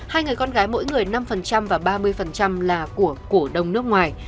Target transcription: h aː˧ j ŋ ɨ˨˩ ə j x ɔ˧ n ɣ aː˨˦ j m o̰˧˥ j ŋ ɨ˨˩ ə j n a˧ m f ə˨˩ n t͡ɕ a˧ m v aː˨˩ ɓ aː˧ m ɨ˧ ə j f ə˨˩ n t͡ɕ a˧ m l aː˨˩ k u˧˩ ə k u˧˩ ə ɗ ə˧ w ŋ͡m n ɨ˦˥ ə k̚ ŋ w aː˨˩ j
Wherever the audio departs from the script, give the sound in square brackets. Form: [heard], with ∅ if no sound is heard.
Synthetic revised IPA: h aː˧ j ŋ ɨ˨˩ ə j [k] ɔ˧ n ɣ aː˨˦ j m o̰˧˥ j ŋ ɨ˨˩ ə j n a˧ m f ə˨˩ n t͡ɕ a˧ m v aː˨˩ ɓ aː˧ m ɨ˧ ə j f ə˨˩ n t͡ɕ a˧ m l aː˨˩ k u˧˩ ə k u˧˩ ə ɗ [ə˨˩] w ŋ͡m n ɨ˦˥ ə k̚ ŋ w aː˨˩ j